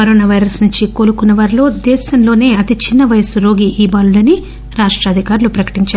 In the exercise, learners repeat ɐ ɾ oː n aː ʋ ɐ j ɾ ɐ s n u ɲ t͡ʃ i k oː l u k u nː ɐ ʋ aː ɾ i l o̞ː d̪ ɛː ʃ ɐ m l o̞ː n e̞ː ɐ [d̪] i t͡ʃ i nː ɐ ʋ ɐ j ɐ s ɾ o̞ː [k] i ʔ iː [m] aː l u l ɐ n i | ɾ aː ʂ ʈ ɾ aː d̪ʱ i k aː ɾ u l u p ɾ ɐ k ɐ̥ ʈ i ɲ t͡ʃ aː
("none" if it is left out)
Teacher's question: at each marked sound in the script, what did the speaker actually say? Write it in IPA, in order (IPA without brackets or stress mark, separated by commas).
t̪, ɡ, b